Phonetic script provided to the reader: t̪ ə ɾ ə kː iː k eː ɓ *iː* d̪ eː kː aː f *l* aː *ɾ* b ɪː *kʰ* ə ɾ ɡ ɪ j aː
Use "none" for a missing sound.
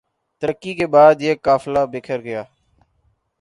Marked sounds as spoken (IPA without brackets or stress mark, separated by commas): aː, l, none, kʰ